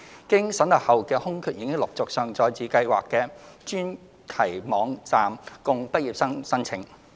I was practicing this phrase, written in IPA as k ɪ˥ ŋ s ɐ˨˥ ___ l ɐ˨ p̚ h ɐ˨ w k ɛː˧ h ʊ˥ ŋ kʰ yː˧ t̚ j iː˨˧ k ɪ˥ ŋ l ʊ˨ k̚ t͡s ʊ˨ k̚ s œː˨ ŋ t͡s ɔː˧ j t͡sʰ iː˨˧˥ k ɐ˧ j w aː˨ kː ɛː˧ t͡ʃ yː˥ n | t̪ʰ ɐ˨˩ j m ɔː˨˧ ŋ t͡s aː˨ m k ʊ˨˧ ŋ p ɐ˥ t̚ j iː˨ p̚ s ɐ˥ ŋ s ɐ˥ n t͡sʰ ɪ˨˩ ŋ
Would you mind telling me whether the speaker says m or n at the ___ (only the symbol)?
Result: n